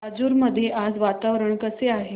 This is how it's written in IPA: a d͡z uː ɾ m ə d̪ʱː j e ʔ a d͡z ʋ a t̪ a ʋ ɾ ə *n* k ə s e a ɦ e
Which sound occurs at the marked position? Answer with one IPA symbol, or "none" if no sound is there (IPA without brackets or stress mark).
ɳ